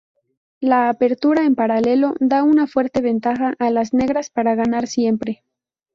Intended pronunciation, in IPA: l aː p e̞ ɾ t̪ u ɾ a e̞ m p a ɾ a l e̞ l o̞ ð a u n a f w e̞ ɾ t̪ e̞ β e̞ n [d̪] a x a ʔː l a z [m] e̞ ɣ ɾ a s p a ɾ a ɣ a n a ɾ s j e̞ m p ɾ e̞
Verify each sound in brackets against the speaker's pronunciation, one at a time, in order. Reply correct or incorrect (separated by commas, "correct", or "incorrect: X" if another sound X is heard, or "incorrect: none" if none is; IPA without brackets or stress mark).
incorrect: t̪, incorrect: n